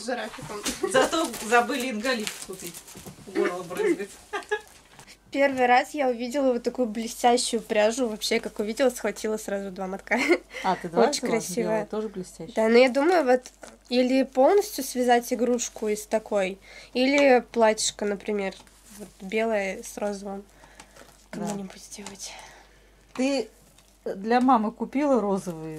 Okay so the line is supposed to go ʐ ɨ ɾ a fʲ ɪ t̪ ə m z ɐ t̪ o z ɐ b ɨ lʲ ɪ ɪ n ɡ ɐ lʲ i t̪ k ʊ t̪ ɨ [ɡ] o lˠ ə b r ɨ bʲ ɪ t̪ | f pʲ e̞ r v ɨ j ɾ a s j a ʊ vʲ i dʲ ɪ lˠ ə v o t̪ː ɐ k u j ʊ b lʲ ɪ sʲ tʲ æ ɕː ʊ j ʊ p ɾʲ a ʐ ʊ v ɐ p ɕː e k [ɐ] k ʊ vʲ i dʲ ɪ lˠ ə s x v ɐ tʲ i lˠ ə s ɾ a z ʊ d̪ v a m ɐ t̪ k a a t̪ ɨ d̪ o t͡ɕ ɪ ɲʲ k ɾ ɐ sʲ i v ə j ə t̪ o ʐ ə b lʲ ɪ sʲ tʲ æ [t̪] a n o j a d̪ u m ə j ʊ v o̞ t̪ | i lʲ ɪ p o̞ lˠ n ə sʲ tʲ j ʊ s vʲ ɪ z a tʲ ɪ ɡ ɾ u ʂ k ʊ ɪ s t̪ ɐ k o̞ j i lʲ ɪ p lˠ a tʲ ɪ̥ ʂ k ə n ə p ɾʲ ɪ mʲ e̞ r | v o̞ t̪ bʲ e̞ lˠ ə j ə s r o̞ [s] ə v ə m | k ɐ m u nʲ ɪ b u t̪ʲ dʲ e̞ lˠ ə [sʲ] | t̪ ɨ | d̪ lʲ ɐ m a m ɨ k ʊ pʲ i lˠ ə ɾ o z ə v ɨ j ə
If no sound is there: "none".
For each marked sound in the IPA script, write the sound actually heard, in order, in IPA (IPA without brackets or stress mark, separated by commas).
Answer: ɡ, a, d̪, z, tʲ